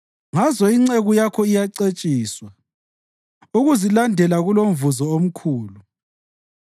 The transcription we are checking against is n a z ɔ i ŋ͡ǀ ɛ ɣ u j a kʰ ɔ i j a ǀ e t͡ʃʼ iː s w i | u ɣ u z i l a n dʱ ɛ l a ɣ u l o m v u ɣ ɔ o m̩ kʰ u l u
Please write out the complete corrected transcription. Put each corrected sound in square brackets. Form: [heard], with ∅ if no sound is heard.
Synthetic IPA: [ŋ] a z ɔ i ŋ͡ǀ [e] ɣ u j a kʰ ɔ i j a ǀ e t͡ʃʼ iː s w [a] | u ɣ u z i l a n dʱ ɛ l a ɣ u l o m v u [z] ɔ o m̩ kʰ [uː] l u